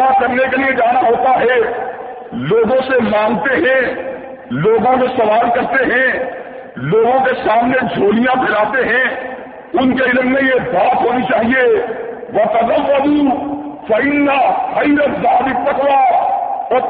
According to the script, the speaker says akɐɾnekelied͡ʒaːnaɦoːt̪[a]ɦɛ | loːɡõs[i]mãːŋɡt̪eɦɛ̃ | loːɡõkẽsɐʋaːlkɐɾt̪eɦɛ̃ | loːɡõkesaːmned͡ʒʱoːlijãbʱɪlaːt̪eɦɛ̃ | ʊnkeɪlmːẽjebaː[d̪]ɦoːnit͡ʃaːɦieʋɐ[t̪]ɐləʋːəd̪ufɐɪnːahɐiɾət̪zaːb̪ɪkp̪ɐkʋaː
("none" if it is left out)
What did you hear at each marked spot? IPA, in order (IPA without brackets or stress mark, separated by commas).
a, e, t̪, t̪